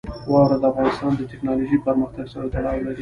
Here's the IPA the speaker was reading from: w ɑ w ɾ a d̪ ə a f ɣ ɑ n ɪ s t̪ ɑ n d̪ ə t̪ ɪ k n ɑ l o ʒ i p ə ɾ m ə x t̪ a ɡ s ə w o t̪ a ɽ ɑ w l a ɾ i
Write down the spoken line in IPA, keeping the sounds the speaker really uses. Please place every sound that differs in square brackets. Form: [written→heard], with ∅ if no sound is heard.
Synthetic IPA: w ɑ w ɾ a d̪ ə a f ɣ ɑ n ɪ s t̪ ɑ n d̪ ə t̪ ɪ k n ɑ l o ʒ i p ə ɾ m ə x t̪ a ɡ s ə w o t̪ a ɽ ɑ w l a ɾ i